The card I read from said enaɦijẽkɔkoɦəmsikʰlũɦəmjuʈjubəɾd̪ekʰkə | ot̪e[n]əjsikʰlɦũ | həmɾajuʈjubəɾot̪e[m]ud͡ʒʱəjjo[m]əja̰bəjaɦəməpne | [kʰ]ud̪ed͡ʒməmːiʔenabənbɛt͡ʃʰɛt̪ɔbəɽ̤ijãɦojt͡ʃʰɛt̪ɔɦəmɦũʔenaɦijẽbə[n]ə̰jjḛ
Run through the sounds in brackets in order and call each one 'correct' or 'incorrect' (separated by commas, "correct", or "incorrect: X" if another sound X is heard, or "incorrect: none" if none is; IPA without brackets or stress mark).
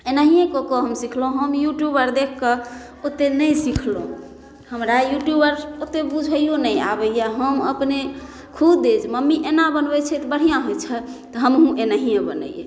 correct, incorrect: b, incorrect: n, correct, correct